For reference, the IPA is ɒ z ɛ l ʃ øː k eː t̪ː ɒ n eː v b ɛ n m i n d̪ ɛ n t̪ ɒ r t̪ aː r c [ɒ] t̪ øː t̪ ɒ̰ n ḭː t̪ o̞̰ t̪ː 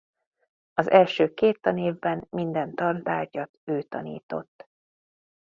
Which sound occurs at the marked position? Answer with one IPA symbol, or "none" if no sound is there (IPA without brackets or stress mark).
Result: ɒ